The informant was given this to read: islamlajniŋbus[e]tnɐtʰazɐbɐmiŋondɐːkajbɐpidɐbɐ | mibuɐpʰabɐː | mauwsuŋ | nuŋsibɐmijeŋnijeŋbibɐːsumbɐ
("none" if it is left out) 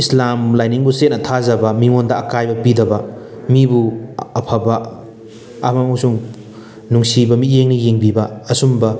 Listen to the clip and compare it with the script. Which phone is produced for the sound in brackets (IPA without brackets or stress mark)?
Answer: e